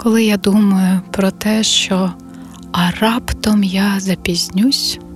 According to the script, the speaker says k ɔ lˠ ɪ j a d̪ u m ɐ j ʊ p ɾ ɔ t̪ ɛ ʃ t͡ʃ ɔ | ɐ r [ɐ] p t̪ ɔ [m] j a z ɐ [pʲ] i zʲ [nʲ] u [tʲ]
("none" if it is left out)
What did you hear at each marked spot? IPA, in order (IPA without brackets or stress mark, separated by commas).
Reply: ɑ, m, pʲ, nʲ, sʲ